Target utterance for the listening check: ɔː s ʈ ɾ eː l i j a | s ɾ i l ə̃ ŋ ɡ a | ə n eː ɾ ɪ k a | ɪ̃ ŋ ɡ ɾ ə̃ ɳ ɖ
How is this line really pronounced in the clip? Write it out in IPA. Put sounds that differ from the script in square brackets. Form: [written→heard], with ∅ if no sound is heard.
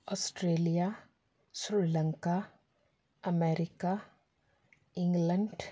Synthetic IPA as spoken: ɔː s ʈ ɾ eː l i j a | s ɾ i l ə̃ ŋ [ɡ→k] a | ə [n→m] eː ɾ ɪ k a | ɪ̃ ŋ ɡ [ɾ→l] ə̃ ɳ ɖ